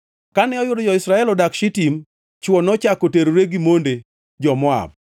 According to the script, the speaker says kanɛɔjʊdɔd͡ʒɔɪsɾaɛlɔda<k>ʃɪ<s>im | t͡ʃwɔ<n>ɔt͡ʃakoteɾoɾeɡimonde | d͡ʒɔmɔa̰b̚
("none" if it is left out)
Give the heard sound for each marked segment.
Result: k, t, n

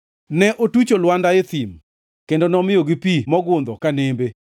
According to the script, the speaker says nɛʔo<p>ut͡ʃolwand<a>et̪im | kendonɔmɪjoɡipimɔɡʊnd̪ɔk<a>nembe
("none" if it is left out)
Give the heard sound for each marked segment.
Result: t, a, a

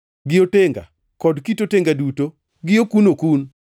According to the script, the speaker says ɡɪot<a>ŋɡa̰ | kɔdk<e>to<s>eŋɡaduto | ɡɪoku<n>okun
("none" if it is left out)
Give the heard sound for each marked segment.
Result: e, i, t, n

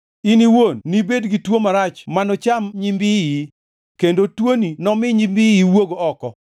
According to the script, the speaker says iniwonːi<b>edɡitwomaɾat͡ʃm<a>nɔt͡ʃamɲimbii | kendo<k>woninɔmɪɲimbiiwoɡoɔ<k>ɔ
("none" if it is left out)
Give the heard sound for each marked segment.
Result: b, a, t, k

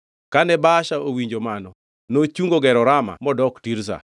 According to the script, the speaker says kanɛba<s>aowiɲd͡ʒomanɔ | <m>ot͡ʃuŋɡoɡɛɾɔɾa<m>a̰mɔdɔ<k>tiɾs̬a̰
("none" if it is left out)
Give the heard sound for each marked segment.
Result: ʃ, n, m, k

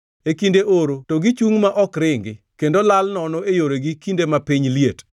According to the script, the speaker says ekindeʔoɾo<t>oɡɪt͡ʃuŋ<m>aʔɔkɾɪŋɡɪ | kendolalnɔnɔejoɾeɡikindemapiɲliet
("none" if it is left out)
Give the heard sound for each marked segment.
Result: t, m

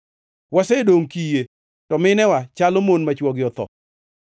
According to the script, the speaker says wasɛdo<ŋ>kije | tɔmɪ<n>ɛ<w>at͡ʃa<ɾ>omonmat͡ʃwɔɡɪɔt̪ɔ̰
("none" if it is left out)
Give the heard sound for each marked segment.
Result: ŋ, n, w, l

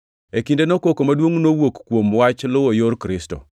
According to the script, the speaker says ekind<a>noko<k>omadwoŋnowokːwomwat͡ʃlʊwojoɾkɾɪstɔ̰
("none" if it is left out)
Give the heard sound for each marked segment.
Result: e, k

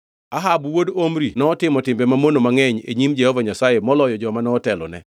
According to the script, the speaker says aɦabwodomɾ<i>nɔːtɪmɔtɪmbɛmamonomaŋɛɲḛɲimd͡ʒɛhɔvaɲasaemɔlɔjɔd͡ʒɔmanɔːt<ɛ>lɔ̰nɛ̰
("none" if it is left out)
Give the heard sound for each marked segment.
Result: i, ɛ

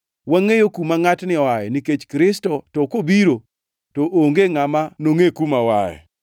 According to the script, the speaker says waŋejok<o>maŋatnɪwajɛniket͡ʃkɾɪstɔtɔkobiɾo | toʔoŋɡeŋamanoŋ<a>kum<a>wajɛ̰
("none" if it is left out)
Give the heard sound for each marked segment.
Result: u, e, a

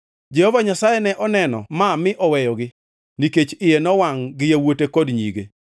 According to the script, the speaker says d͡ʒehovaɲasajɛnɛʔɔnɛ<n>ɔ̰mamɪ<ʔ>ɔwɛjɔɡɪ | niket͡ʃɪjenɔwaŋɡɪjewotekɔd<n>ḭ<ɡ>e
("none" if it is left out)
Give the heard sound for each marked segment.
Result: n, ʔ, ɲ, ɡ

